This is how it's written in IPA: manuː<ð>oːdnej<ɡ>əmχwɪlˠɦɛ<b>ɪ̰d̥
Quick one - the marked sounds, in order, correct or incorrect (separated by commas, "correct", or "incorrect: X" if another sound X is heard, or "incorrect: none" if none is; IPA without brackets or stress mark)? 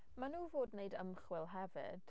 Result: incorrect: v, incorrect: d, incorrect: v